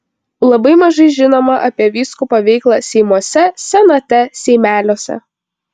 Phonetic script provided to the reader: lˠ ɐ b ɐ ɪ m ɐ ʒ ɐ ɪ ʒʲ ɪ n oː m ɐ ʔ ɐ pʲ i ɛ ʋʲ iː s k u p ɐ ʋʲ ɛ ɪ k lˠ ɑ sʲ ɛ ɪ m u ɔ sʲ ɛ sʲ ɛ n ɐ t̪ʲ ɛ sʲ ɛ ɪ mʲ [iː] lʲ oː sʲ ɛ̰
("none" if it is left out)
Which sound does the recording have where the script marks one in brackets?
æː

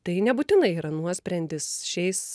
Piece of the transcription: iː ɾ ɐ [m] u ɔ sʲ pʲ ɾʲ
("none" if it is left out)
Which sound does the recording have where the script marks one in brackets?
n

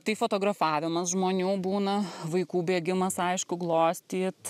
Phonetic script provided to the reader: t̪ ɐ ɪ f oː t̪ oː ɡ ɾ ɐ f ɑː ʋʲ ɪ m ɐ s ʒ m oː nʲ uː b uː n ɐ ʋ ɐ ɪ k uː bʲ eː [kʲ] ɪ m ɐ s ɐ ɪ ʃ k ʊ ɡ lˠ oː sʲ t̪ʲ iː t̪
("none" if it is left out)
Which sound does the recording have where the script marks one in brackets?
ɡʲ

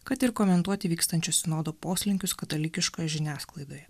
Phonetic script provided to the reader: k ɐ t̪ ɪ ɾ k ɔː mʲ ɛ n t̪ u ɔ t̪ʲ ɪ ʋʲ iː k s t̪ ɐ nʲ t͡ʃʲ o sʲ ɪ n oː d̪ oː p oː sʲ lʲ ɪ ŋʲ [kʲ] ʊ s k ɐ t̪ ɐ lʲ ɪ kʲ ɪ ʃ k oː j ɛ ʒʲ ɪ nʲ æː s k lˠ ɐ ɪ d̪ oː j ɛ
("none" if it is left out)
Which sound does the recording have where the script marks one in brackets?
kʲ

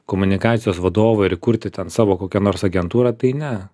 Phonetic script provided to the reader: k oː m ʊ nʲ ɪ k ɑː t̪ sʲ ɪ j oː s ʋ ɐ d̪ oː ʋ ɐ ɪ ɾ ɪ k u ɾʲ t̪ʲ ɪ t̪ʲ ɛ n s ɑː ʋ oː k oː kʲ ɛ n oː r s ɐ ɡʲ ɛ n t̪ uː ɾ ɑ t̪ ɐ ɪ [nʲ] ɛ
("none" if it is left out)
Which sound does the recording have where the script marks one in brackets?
nʲ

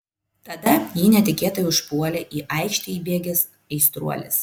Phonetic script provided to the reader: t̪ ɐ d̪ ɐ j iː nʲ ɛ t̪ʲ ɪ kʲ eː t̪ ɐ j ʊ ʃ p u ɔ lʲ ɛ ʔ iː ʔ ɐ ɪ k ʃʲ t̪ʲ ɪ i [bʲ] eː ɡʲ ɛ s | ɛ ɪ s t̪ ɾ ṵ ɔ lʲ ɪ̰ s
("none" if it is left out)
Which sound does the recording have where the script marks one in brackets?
bʲ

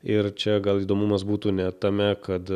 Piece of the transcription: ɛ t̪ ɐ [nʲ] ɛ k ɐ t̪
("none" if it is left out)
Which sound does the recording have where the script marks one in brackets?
mʲ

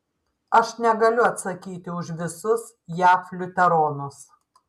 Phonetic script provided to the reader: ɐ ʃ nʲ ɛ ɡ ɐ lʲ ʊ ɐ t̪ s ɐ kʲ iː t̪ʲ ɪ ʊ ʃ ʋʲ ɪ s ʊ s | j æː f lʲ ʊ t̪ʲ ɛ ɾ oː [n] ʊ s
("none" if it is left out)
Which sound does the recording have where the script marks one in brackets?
n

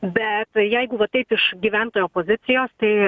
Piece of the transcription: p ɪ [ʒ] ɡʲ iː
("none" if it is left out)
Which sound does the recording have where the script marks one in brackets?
ʃ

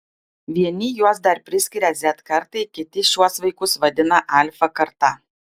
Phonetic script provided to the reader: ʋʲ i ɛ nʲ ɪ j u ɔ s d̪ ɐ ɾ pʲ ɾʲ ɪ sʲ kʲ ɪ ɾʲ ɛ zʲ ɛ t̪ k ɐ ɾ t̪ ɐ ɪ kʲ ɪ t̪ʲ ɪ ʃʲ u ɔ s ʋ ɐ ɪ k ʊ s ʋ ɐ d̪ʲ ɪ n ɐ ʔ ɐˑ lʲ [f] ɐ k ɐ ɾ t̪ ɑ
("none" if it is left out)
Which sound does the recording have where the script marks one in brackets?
f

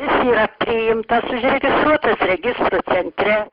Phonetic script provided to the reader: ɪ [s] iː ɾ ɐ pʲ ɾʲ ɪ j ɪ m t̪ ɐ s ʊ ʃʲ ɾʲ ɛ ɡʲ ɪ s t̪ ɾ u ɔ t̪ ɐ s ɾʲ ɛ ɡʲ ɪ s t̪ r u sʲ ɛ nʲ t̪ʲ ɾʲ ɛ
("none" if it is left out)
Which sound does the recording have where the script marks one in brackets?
s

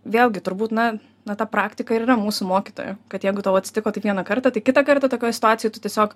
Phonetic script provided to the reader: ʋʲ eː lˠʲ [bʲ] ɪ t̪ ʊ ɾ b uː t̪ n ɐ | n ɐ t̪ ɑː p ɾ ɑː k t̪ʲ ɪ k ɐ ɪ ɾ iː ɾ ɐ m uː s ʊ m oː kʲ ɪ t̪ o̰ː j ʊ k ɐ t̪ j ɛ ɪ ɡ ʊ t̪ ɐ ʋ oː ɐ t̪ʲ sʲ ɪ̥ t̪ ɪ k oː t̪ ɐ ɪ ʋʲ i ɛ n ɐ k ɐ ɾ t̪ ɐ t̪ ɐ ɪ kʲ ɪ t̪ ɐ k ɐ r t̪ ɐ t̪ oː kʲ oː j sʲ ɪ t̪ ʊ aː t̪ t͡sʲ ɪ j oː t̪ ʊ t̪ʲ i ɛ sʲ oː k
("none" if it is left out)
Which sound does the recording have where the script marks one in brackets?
ɡʲ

